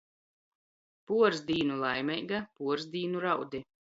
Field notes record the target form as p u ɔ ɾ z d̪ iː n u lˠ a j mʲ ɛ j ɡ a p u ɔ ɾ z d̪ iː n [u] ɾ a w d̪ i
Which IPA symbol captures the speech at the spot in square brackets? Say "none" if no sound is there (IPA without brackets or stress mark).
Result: u